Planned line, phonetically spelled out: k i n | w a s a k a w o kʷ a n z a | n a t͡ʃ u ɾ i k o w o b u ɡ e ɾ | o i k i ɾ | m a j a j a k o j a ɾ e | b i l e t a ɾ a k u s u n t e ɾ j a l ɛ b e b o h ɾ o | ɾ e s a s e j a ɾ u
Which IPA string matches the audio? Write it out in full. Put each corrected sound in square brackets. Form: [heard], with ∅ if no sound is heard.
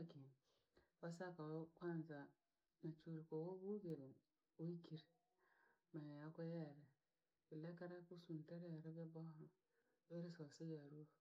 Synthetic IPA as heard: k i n | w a s a k a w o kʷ a n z a | n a t͡ʃ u ɾ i k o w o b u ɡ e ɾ | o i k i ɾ | m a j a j a k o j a ɾ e | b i l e [k] a ɾ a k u s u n t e ɾ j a [ɾ] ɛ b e b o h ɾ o | ɾ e s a s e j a ɾ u